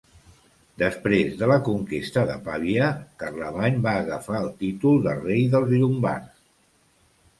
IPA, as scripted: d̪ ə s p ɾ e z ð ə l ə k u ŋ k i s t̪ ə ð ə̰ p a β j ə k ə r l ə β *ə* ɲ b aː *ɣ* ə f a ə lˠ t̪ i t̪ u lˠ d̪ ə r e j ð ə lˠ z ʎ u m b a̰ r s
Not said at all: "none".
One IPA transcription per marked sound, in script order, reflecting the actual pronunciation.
a, ɣ

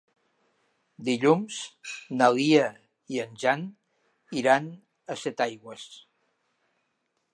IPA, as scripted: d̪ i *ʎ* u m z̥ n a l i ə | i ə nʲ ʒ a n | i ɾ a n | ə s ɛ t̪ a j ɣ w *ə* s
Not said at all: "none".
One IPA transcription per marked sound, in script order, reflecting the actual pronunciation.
ʎ, ə

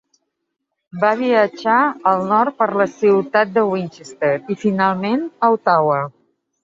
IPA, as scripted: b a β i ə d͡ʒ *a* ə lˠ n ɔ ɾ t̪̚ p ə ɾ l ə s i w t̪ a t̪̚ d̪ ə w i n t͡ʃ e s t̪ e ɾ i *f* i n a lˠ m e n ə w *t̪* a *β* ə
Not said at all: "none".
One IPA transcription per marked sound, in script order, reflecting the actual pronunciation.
a, f, t̪, w

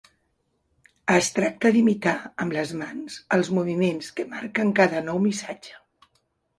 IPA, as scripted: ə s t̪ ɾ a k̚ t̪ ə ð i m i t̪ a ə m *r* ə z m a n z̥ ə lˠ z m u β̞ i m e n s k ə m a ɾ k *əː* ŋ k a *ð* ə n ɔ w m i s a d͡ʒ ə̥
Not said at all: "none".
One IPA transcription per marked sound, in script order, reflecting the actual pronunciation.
l, ə, ð

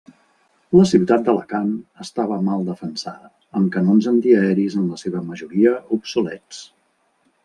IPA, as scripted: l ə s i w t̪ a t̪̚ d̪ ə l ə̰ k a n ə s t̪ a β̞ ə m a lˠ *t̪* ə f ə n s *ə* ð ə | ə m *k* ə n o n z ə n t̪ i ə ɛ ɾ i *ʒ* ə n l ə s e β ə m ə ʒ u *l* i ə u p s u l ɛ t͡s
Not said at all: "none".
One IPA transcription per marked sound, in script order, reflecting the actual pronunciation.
d̪, a, k, z, ɾ

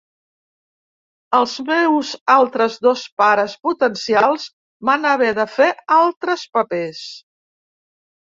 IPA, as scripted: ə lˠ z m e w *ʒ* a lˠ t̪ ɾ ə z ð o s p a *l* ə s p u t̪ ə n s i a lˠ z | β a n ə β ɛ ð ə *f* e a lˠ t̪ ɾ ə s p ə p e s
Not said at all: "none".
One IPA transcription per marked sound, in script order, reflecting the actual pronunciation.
z, ɾ, f

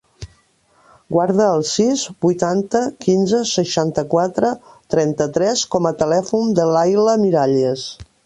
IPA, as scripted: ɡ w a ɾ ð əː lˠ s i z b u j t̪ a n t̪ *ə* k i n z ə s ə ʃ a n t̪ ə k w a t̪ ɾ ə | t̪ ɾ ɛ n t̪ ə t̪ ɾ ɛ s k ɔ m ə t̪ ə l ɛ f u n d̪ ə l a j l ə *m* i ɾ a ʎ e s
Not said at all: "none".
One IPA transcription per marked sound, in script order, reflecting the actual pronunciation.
ə, m

